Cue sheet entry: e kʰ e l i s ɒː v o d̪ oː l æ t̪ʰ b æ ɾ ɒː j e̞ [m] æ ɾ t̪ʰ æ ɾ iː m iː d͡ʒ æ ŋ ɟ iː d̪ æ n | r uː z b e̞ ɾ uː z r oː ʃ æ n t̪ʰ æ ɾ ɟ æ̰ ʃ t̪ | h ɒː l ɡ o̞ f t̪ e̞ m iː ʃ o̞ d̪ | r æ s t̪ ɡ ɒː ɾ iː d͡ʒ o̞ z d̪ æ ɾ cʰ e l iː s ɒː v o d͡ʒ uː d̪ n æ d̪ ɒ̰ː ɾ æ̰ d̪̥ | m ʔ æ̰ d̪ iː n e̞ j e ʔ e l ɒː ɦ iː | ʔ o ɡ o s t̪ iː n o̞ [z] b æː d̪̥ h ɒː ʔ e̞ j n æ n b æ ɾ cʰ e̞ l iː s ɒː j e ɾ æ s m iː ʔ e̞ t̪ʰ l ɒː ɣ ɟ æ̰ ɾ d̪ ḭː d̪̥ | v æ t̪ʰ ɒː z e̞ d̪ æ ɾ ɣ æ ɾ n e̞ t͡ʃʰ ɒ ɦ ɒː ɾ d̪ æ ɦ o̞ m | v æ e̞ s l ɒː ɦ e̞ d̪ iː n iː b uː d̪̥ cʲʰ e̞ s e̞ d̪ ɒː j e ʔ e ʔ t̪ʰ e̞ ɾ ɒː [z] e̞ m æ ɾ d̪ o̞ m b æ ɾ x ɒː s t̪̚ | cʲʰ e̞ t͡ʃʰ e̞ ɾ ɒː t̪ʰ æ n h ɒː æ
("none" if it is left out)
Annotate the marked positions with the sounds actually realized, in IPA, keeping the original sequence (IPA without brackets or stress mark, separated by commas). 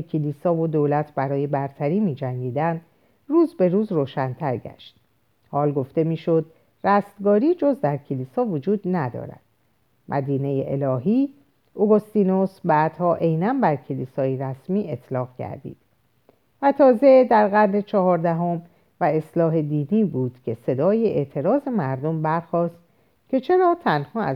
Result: b, s, z